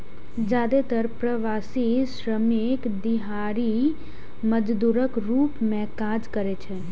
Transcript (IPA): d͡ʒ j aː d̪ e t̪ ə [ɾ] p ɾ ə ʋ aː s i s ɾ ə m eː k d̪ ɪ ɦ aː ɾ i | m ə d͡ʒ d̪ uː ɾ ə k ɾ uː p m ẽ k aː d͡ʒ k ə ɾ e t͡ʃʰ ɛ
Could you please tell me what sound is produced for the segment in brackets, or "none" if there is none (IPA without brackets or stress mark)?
ɾ